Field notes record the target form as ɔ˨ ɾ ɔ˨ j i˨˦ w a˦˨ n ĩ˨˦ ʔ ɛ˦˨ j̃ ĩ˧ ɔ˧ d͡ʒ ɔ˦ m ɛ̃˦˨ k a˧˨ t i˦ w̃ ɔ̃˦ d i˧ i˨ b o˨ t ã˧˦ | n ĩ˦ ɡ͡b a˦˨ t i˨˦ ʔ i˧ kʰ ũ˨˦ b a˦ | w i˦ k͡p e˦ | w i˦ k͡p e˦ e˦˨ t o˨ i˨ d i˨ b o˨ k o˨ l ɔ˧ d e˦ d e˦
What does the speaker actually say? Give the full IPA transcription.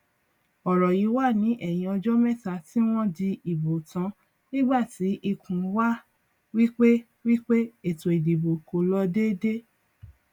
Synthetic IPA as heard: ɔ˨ ɾ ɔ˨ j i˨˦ w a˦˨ n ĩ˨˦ ʔ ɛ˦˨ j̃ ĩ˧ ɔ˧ d͡ʒ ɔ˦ m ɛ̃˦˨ t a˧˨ t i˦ w̃ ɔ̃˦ d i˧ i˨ b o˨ t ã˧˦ | n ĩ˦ ɡ͡b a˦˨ t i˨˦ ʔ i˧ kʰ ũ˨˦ w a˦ | w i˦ k͡p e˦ | w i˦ k͡p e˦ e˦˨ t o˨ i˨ d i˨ b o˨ k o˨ l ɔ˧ d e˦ d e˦